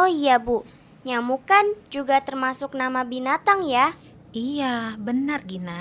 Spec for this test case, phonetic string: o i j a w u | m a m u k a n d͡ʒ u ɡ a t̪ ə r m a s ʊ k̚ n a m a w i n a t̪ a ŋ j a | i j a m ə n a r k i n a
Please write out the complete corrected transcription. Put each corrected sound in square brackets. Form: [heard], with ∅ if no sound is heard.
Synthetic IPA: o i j a [b] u | [ɲ] a m u k a n d͡ʒ u ɡ a t̪ ə r m a s ʊ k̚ n a m a [b] i n a t̪ a ŋ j a | i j a [b] ə n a r [ɡ] i n a